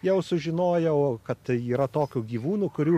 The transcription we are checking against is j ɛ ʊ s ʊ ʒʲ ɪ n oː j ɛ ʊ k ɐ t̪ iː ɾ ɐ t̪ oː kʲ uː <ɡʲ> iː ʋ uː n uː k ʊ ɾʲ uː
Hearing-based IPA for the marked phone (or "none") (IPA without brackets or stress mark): ɡʲ